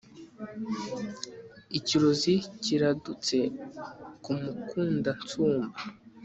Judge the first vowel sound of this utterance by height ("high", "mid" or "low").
high